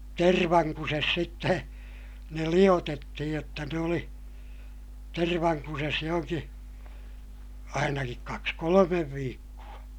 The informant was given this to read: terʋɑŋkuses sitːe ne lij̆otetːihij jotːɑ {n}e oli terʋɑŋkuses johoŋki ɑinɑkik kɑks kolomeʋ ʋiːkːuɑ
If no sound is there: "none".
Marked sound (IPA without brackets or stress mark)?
n